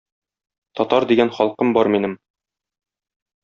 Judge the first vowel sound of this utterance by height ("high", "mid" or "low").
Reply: low